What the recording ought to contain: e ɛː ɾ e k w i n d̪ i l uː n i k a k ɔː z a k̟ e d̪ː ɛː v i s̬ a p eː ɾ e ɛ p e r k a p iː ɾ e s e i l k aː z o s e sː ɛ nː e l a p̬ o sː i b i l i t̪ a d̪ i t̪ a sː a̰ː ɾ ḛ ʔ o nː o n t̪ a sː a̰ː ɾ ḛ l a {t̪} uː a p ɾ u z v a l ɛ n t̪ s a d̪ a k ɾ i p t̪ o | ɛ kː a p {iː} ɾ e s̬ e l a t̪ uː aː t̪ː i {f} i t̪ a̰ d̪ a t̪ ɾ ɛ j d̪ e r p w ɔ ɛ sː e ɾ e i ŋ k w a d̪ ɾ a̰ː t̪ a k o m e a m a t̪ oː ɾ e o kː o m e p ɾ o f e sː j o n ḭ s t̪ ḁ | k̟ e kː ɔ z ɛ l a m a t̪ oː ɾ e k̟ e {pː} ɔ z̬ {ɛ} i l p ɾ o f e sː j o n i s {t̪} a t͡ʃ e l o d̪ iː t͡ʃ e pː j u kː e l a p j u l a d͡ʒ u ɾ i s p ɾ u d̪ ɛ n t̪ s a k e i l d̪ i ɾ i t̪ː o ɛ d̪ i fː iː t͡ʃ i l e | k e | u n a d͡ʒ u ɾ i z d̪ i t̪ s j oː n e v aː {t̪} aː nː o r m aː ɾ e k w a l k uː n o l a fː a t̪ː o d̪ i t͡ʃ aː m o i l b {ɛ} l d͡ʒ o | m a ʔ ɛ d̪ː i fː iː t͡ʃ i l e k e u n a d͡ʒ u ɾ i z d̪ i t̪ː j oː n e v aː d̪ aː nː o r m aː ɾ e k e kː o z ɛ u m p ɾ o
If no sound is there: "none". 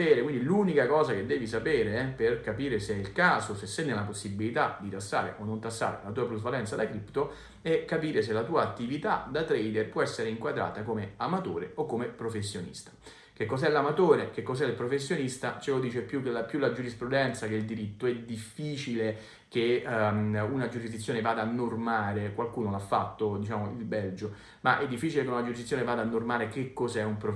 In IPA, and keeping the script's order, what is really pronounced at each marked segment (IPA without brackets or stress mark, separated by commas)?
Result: t̪, iː, v, kː, ɛ, t̪, d̪, ɛ